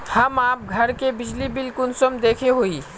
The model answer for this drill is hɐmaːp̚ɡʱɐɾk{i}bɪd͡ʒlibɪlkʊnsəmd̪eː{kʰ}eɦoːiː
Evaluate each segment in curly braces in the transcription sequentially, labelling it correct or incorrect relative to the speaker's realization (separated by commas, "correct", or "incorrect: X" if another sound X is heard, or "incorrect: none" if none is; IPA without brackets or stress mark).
incorrect: e, correct